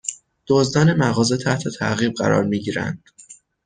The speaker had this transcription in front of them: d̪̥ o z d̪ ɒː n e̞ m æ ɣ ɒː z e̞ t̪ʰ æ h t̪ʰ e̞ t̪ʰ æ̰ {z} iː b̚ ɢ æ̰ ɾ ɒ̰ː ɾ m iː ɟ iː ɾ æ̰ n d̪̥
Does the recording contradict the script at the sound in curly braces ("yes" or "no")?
yes